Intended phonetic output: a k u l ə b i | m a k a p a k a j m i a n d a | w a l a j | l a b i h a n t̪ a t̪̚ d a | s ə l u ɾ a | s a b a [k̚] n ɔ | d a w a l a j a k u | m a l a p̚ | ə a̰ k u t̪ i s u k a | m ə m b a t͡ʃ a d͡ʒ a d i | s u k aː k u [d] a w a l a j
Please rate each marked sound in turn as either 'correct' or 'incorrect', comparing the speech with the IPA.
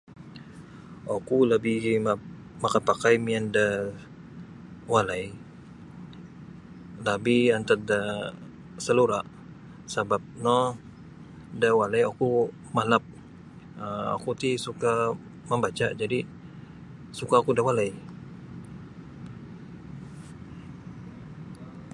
incorrect, correct

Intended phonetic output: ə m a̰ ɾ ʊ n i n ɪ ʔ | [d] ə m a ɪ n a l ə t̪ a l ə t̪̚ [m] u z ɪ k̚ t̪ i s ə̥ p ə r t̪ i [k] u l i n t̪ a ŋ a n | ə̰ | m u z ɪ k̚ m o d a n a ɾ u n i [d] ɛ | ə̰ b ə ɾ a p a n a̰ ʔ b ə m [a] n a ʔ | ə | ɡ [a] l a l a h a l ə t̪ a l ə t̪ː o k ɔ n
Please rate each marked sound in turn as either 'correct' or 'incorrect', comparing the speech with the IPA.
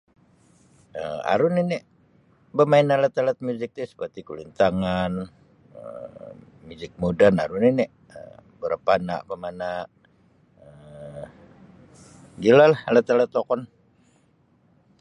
incorrect, correct, correct, incorrect, correct, incorrect

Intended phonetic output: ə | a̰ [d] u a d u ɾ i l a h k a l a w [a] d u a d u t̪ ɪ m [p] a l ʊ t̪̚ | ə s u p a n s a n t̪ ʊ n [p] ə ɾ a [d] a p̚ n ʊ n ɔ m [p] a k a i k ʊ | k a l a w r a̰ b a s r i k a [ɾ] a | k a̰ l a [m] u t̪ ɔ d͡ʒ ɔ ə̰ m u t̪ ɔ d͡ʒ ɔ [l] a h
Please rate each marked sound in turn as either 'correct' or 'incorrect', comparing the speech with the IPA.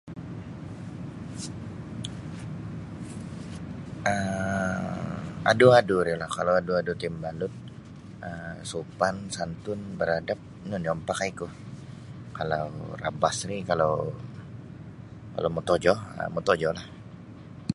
correct, correct, incorrect, incorrect, correct, correct, incorrect, correct, correct

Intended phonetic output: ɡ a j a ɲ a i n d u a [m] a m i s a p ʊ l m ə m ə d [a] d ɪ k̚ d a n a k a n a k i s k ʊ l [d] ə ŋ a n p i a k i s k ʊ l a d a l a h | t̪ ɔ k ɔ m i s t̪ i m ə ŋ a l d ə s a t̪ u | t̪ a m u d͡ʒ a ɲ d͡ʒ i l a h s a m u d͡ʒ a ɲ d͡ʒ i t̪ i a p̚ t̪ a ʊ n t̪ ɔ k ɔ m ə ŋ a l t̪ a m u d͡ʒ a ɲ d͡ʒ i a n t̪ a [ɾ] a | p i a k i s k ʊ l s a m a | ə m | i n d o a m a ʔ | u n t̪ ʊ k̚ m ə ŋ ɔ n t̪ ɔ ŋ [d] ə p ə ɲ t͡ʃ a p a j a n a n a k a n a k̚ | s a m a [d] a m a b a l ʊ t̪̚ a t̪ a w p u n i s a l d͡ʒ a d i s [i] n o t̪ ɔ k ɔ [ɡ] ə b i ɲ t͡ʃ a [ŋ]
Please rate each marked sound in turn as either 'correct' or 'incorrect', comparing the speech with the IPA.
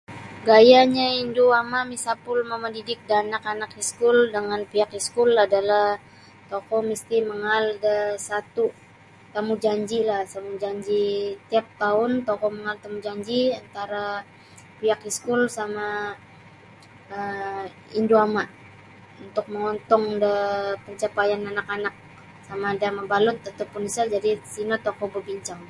correct, incorrect, correct, correct, correct, correct, correct, incorrect, correct

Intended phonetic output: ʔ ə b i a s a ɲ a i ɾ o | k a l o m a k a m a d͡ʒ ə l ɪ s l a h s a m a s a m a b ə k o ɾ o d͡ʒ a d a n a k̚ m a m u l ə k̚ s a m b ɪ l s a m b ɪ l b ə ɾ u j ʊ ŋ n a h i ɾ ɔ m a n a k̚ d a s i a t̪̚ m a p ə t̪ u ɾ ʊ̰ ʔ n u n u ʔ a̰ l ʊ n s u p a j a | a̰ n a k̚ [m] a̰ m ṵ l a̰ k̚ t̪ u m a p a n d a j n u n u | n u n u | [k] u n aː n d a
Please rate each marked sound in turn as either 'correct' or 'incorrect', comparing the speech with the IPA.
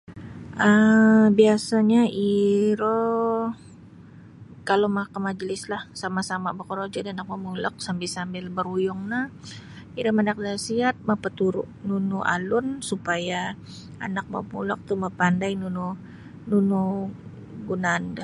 correct, incorrect

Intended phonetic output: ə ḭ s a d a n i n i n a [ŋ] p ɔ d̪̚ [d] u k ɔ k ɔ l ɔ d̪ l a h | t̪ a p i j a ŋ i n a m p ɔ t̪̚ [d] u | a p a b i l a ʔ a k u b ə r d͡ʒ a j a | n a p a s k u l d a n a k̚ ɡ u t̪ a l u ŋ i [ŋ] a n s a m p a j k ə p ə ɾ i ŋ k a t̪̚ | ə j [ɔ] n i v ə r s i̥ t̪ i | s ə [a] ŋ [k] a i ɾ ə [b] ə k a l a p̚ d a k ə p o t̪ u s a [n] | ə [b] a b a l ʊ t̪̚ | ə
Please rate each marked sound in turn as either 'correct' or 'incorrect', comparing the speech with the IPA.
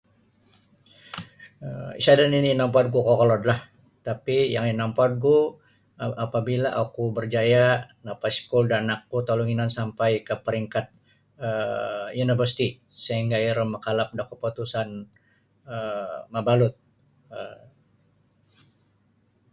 incorrect, incorrect, incorrect, incorrect, incorrect, incorrect, incorrect, incorrect, correct, incorrect

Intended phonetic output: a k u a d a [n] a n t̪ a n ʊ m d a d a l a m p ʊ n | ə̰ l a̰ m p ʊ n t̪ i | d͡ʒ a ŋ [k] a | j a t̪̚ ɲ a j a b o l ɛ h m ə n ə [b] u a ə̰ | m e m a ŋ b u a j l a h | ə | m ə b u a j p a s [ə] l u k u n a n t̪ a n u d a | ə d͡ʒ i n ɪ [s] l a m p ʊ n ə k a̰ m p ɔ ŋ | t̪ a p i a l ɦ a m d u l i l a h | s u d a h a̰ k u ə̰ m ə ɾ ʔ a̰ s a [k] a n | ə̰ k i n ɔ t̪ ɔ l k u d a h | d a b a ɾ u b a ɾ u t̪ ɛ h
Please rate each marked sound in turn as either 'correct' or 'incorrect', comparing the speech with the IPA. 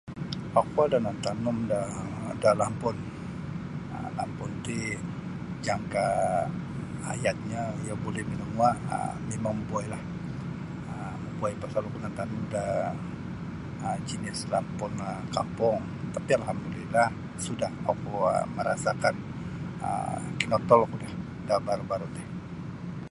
correct, correct, incorrect, incorrect, correct, correct

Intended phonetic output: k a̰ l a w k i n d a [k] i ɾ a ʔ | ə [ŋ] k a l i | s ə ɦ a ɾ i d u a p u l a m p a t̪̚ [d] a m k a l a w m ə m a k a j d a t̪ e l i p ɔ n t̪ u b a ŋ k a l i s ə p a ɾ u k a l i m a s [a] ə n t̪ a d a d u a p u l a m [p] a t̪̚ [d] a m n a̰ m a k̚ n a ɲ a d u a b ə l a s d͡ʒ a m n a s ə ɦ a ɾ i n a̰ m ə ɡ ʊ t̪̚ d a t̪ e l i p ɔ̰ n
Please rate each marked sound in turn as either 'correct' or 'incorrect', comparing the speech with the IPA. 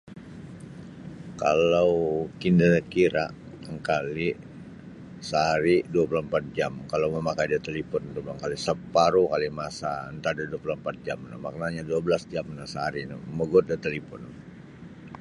correct, correct, incorrect, correct, correct, incorrect

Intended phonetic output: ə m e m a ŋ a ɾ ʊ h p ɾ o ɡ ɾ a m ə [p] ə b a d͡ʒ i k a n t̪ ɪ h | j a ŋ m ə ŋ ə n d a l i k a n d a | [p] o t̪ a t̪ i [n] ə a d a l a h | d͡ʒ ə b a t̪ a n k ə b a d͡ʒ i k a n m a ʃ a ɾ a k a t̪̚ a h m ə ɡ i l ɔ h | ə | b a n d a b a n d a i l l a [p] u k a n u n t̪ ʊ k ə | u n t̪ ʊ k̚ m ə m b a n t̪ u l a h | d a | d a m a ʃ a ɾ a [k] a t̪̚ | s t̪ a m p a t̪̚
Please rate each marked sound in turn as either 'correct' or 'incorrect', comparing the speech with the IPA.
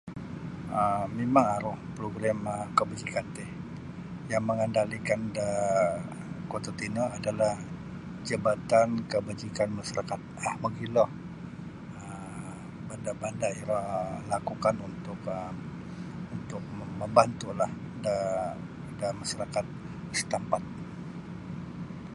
incorrect, incorrect, correct, incorrect, correct

